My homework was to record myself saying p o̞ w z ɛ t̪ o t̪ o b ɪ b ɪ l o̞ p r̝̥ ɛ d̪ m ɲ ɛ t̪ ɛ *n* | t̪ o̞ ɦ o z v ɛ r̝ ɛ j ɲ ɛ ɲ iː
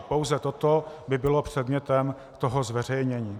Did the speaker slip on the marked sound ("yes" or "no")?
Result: yes